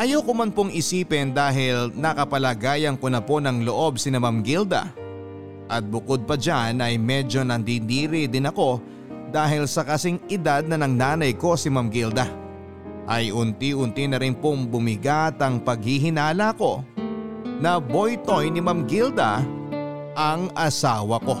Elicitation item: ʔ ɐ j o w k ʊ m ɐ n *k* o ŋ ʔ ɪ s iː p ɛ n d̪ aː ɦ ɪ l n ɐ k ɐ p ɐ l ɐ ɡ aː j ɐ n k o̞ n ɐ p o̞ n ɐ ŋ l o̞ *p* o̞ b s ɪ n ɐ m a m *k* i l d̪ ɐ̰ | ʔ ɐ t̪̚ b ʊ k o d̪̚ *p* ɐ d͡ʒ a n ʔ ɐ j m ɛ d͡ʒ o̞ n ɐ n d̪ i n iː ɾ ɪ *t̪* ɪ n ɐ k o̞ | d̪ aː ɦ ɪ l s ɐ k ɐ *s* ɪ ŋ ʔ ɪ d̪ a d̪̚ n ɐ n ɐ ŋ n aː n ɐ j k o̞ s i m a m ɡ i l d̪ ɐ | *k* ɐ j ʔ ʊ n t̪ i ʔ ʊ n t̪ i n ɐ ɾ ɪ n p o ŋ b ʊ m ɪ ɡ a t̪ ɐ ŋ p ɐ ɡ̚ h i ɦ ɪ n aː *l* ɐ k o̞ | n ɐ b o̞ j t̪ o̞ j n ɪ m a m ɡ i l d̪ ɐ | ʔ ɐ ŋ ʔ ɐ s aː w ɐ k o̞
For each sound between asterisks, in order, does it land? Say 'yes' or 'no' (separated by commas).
no, no, no, yes, no, yes, no, yes